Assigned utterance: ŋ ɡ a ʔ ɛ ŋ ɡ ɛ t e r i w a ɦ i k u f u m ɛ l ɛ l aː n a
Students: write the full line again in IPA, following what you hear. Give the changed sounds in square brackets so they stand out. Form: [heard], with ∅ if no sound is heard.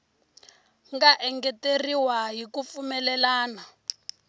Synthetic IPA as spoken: ŋ ɡ a ʔ ɛ ŋ ɡ ɛ t e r i w a ɦ i k u f u m ɛ l ɛ l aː n a

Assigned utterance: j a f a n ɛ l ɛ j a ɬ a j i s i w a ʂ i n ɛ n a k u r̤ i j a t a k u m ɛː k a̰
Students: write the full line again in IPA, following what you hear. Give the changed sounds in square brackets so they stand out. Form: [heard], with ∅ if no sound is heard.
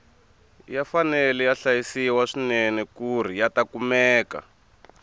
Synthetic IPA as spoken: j a f a n ɛ l ɛ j a ɬ a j i s i w a ʂ i n ɛ n [ɛ] k u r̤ i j a t a k u m ɛː k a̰

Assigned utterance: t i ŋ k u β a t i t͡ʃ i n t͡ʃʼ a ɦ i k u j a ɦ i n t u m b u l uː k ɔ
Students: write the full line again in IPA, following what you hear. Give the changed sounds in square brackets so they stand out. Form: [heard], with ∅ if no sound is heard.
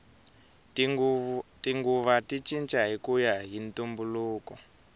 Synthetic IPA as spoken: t i ŋ [ɡ] u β a t i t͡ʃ i n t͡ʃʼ a ɦ i k u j a ɦ i n t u m b u l uː k ɔ

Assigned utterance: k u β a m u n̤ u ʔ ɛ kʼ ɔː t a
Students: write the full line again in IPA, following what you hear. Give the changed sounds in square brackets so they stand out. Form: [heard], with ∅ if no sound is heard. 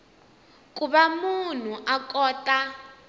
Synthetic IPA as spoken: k u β a m u n̤ u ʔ [a] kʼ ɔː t a

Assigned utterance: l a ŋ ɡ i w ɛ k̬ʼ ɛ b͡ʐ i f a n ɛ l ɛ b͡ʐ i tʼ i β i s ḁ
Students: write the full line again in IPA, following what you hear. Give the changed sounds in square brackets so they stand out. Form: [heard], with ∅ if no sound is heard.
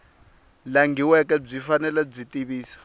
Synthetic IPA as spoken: l a ŋ ɡ i w ɛ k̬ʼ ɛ b͡ʐ i f a n ɛ l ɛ b͡ʐ i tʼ i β [iː] s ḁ

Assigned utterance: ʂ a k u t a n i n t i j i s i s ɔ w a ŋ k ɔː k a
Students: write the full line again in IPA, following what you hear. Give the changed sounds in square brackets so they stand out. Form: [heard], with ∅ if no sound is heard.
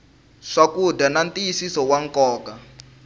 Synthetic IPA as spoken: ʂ a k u [d] a n [a] n t i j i s i s ɔ w a ŋ k ɔː k a

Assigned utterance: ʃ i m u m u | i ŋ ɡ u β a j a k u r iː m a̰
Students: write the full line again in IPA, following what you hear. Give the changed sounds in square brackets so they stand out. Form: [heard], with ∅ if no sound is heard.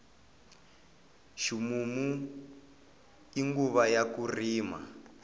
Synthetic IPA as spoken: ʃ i m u m u | i ŋ ɡ u β a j a k u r iː m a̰

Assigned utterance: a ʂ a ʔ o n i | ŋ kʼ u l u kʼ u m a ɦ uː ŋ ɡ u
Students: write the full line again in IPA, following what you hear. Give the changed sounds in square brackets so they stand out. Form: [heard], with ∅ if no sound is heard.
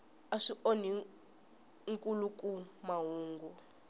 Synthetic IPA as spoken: a ʂ [i] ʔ o n i | ŋ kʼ u l u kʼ u m a ɦ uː ŋ ɡ u

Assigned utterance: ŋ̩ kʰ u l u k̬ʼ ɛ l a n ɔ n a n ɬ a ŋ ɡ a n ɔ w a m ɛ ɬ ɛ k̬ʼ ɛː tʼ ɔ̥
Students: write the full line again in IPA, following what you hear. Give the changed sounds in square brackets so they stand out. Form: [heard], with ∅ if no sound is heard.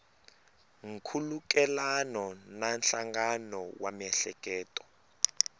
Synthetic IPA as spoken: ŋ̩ kʰ u l u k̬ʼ ɛ l a n ɔ n a n ɬ a ŋ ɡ a n ɔ w a m ɛ ɬ ɛ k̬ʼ ɛː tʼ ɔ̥

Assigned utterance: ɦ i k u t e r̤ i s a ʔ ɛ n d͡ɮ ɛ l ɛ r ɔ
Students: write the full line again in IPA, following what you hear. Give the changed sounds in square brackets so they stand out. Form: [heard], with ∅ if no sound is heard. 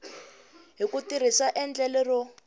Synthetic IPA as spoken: ɦ i k u t [i] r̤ i s a ʔ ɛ n d͡ɮ ɛ l ɛ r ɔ

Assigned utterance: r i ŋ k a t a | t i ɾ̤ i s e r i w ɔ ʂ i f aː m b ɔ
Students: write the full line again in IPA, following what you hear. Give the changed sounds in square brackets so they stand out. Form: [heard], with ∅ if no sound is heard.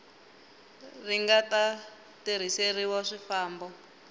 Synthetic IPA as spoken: r i ŋ [ɡ] a t a | t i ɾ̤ i s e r i w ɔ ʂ i f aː m b ɔ

